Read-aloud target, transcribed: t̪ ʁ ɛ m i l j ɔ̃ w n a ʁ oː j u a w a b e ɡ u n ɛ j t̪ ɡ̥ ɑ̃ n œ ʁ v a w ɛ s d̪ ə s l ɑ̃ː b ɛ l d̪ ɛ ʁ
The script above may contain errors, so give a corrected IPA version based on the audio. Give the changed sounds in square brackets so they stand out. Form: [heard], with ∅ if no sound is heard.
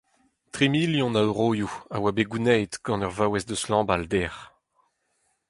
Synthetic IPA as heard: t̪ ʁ [i] m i l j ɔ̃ [∅] n a ʁ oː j u a w a b e ɡ u n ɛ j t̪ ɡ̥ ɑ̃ n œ ʁ v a w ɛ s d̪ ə s l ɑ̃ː b [a] l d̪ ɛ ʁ